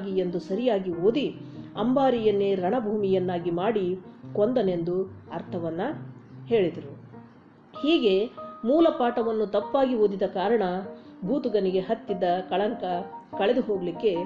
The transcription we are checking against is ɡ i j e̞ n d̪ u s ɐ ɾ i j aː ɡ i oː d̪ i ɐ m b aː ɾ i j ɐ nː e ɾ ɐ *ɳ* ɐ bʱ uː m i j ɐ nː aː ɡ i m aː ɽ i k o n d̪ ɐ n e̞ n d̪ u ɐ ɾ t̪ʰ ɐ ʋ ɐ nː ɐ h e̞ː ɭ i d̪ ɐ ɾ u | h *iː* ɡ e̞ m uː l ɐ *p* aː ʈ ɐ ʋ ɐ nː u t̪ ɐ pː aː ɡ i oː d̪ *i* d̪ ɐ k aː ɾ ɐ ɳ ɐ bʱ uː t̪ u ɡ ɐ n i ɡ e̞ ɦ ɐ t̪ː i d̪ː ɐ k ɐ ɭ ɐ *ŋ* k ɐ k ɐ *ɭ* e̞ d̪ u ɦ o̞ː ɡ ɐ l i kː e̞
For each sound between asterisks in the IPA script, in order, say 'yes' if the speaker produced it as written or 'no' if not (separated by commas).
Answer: yes, yes, yes, yes, yes, yes